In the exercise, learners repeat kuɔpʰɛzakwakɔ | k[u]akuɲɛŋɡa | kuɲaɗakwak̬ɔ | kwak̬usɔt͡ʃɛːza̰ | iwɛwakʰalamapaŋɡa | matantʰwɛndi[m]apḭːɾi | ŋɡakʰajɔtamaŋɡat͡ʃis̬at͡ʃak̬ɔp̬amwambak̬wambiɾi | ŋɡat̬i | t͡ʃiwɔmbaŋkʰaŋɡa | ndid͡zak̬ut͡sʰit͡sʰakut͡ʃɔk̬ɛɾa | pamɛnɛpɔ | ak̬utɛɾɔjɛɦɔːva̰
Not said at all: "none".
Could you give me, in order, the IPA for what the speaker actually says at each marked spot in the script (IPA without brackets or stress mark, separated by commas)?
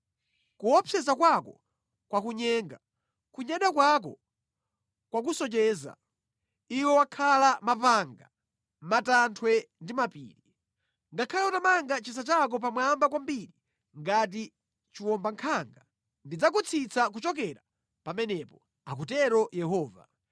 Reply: w, m